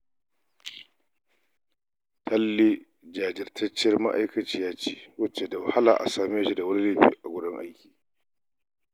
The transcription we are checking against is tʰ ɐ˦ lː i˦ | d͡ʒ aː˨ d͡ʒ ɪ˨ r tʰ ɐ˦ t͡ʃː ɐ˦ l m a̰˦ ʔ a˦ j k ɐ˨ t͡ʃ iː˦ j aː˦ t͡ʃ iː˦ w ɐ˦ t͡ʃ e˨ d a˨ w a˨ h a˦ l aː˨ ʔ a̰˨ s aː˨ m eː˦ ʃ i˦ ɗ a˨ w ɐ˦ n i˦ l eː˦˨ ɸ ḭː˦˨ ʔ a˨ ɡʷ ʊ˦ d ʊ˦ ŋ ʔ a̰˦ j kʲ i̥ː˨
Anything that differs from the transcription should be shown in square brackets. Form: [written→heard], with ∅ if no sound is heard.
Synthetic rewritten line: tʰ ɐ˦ lː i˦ | d͡ʒ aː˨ d͡ʒ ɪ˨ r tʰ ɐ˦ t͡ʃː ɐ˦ [l→r] m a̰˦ ʔ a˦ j k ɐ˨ t͡ʃ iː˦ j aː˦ t͡ʃ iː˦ w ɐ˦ t͡ʃ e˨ d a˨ w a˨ h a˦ l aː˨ ʔ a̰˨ s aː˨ m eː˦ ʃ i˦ [ɗ→d] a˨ w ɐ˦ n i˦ l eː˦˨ ɸ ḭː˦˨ ʔ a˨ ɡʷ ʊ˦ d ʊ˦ ŋ ʔ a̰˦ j kʲ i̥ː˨